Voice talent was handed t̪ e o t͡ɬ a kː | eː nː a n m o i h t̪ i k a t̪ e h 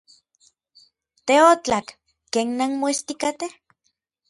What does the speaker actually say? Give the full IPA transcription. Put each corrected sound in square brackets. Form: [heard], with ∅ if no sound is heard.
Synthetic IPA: t̪ e o t͡ɬ a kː | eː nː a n m o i [s] t̪ i k a t̪ e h